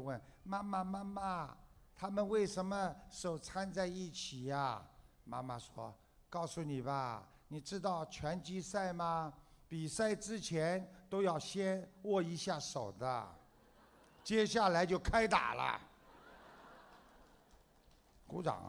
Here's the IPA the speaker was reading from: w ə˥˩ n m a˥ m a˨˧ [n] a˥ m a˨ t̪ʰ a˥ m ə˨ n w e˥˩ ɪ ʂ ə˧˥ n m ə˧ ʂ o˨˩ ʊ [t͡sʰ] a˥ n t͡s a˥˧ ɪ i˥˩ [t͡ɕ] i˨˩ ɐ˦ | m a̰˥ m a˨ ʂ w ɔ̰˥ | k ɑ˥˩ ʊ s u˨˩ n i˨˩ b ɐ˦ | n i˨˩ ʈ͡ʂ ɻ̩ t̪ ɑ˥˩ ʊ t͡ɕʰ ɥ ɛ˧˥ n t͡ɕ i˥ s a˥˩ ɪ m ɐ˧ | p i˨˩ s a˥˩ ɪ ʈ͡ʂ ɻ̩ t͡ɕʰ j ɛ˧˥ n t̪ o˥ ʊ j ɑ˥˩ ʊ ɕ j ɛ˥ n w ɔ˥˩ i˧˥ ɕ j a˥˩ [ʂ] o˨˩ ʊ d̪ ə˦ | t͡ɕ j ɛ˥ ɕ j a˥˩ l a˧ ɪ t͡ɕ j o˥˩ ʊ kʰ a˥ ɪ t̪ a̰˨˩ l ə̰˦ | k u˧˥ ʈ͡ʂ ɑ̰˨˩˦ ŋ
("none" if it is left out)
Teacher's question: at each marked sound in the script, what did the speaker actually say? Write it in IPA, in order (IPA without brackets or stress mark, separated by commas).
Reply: m, t͡sʰ, t͡ɕʰ, ʂ